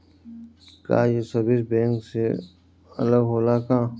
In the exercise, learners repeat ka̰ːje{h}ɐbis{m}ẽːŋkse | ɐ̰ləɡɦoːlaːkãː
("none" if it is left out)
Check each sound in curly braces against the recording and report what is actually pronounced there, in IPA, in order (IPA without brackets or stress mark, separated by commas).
s, b